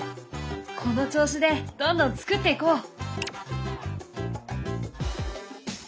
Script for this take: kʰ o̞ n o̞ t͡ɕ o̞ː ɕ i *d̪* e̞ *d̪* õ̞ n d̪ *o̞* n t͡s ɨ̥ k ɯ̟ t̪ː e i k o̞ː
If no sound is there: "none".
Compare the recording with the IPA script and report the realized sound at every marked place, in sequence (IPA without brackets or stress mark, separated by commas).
d̪, d̪, õ̞